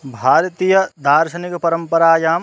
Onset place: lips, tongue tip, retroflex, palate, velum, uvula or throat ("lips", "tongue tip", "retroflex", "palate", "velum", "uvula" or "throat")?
lips